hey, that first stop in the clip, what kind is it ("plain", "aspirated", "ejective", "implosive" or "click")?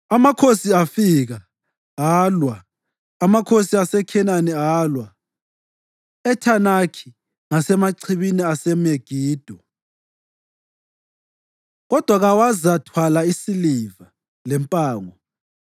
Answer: aspirated